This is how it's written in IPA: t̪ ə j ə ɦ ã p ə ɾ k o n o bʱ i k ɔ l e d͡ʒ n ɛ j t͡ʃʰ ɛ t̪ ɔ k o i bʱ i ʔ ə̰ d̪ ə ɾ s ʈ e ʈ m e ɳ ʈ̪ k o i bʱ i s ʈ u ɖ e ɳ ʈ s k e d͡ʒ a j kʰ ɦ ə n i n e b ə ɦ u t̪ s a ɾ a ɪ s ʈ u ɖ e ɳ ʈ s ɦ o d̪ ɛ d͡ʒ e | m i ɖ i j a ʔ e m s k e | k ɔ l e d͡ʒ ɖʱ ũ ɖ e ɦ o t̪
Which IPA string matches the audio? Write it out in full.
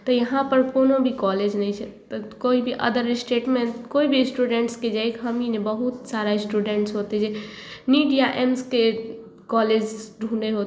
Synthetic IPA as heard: t̪ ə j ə ɦ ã p ə ɾ k o n o bʱ i k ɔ l e d͡ʒ n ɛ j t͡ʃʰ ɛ t̪ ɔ k o i bʱ i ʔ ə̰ d̪ ə ɾ s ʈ e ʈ m e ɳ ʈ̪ k o i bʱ i s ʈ u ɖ e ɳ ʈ s k e d͡ʒ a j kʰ ɦ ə m i n e b ə ɦ u t̪ s a ɾ a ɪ s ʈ u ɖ e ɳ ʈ s ɦ o t̪ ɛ d͡ʒ e | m i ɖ i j a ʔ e m s k e | k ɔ l e d͡ʒ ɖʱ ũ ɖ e ɦ o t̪